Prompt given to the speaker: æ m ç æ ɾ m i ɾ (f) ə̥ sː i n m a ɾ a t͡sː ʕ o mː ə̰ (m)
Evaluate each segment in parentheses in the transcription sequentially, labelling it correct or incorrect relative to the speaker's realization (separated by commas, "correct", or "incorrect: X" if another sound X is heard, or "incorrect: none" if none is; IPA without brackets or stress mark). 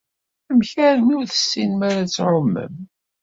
incorrect: θ, correct